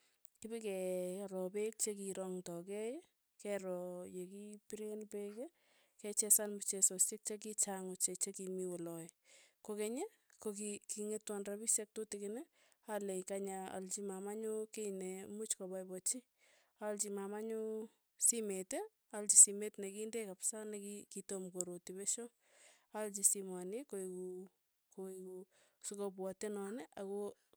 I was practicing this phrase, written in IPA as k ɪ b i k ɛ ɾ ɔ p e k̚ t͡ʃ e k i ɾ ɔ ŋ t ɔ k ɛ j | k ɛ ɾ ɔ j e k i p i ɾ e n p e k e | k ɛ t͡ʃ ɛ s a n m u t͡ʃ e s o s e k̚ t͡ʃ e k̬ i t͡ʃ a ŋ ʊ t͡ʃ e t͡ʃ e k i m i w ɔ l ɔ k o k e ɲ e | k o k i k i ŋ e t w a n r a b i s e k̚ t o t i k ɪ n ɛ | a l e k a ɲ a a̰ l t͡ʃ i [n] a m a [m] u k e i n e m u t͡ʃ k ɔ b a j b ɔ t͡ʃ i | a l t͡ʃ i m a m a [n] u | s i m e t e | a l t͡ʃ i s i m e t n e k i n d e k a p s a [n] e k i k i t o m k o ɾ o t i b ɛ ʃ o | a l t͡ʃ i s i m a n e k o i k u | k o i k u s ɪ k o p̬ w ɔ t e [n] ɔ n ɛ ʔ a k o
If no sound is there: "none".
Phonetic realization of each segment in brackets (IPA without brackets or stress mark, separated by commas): m, ɲ, ɲ, n, n